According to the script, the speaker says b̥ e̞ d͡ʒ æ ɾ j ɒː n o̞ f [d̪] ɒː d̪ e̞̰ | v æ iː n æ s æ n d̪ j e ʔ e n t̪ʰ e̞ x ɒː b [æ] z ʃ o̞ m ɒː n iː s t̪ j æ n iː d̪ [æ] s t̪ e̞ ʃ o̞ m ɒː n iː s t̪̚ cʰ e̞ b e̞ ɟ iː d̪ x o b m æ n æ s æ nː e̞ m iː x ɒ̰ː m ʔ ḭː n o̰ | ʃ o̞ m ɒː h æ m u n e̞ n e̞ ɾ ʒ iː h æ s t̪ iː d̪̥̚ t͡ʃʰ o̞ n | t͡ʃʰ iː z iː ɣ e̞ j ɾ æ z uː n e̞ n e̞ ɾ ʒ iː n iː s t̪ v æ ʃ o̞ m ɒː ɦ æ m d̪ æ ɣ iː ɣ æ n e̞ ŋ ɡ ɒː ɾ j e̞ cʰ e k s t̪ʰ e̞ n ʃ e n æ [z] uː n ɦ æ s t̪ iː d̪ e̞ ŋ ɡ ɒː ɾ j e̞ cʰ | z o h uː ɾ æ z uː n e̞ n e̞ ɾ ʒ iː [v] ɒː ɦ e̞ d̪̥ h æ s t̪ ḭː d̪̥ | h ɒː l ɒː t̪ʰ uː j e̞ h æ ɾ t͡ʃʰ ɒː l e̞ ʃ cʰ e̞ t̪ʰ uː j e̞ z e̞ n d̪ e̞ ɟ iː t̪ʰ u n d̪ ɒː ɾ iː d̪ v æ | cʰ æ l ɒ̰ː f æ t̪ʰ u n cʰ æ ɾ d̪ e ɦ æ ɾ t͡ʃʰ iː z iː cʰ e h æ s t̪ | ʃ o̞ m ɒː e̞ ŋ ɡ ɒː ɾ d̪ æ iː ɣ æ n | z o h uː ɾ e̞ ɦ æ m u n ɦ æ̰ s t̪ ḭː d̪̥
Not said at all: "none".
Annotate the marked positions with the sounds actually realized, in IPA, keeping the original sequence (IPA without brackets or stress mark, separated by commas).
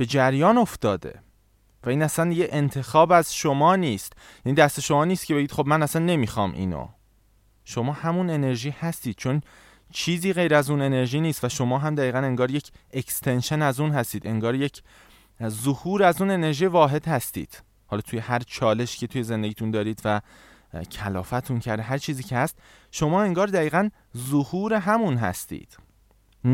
t̪, æ, æ, z, v